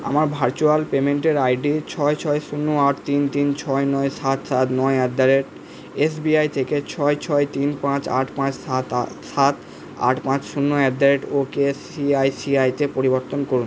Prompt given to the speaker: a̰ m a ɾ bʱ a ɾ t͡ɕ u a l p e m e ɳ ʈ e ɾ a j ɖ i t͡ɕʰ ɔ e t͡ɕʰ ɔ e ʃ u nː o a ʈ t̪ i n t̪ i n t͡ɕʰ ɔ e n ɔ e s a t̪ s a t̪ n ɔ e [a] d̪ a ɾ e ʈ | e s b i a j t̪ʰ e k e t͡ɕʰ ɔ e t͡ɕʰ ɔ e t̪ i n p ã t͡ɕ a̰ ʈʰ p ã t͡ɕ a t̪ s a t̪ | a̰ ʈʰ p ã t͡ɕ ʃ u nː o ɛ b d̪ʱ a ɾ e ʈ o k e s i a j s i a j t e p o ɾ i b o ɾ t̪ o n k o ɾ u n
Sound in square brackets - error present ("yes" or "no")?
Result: yes